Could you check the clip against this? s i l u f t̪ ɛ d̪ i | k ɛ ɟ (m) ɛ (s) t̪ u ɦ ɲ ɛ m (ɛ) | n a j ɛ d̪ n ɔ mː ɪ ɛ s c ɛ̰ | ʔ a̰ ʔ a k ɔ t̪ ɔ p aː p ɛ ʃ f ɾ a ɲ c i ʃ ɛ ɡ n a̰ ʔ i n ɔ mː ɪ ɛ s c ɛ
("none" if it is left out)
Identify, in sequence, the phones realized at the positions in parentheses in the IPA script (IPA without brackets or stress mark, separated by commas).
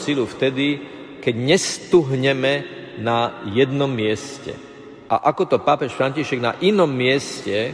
ɲ, s, ɛ